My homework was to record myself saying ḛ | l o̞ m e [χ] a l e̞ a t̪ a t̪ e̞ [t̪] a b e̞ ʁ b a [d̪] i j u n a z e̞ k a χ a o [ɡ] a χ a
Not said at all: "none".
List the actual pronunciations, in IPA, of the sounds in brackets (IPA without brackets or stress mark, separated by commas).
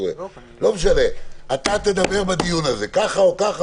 ʃ, d̪, d̪, k